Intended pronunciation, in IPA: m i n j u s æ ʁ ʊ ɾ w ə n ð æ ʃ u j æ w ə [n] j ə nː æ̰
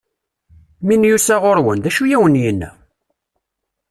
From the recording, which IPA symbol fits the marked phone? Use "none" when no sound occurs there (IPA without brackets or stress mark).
n